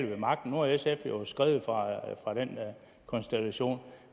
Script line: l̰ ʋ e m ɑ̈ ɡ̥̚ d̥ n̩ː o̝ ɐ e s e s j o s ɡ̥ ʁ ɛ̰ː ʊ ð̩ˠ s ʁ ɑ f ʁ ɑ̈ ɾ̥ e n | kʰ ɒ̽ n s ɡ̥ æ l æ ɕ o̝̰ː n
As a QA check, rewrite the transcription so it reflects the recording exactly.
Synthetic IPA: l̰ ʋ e m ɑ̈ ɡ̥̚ d̥ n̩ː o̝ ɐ e s e f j o s ɡ̥ ʁ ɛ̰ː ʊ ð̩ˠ f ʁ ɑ f ʁ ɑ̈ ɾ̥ e n | kʰ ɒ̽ n s d̥ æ l æ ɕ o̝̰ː n